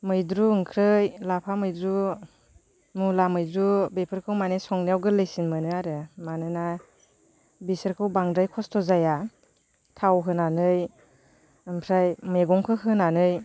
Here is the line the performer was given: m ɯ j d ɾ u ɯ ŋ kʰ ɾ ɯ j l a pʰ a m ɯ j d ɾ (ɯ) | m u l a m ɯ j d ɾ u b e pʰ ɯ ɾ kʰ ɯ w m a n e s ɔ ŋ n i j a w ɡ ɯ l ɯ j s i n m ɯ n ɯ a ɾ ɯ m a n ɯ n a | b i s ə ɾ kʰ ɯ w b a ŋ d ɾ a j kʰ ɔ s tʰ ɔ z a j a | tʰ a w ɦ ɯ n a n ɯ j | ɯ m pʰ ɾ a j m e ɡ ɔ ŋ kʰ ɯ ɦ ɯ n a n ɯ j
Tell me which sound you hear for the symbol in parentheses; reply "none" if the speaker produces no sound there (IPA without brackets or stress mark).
u